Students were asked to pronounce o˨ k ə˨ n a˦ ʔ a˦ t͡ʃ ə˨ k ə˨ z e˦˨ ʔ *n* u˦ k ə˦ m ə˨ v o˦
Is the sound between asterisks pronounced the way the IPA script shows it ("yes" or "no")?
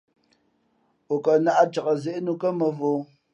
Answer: yes